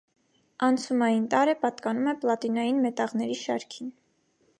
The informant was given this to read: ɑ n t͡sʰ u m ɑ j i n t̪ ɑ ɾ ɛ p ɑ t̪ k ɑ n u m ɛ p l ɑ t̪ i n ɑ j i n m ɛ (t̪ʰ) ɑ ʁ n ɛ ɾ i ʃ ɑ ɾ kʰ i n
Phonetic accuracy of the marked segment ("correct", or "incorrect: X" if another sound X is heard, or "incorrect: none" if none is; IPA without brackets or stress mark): incorrect: t̪